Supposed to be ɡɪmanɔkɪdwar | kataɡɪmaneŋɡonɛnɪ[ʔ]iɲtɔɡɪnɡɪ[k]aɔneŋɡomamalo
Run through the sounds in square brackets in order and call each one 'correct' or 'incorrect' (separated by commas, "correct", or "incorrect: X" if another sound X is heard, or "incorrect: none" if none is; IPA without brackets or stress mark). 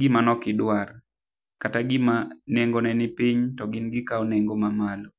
incorrect: p, correct